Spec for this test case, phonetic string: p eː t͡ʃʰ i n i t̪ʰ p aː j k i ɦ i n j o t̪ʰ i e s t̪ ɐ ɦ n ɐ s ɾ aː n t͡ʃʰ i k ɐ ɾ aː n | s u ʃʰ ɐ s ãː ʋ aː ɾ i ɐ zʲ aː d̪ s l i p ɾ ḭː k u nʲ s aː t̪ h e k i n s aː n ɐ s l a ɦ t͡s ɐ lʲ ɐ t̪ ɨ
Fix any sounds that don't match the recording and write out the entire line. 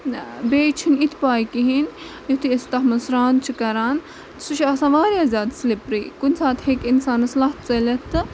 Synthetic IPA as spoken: b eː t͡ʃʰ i n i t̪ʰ p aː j k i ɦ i n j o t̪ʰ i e s t̪ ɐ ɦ m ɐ s ɾ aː n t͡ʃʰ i k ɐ ɾ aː n | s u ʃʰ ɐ s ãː ʋ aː ɾ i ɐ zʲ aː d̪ s l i p ɾ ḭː k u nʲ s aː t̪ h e k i n s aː n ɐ s l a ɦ t͡s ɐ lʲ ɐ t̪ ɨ